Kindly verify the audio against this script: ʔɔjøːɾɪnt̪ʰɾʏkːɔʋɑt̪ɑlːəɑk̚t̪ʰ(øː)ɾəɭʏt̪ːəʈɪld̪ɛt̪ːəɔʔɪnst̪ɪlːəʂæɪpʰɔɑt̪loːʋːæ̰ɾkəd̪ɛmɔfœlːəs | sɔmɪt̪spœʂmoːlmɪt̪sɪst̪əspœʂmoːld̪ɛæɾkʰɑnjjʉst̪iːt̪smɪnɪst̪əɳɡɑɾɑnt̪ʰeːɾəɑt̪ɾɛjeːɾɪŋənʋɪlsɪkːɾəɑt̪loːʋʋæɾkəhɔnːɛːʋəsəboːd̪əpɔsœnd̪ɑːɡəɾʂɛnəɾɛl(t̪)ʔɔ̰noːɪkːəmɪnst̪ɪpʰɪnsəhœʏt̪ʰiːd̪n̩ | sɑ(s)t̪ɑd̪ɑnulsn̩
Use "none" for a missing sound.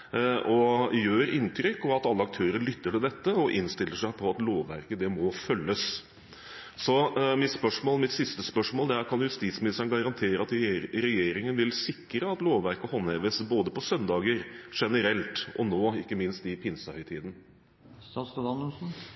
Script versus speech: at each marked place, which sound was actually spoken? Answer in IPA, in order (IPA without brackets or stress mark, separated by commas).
øː, t̪, s